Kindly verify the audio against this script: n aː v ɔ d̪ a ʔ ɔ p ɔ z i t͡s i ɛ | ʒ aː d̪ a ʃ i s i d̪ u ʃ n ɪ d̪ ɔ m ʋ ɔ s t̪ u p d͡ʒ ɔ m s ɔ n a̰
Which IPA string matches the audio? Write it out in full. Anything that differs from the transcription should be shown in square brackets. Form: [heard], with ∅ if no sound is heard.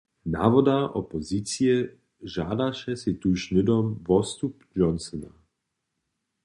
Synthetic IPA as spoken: n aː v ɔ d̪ a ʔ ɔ p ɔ z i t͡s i ɛ | ʒ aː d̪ a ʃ [ɛ] s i [t̪] u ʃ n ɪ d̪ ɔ m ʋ ɔ s t̪ u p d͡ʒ ɔ [n] s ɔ n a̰